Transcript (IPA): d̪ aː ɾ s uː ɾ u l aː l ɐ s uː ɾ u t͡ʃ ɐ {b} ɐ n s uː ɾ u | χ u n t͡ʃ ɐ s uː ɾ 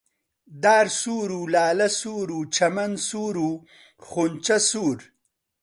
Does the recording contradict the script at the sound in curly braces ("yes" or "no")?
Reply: yes